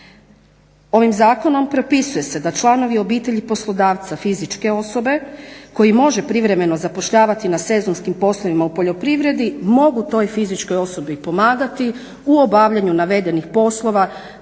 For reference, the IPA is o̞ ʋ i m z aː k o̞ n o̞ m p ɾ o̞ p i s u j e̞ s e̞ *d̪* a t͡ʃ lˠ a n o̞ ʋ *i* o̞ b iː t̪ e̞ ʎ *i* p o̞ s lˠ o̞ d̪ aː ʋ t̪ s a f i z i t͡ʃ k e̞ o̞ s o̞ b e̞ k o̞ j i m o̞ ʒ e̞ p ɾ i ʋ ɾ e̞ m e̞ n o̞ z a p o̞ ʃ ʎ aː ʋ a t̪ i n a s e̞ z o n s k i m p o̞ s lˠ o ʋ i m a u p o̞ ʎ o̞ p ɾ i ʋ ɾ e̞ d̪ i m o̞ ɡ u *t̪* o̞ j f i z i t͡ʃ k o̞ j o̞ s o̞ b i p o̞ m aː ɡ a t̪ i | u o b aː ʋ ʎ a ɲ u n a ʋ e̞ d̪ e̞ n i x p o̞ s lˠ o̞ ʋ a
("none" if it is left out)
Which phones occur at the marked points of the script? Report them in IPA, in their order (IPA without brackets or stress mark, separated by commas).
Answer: d̪, i, i, t̪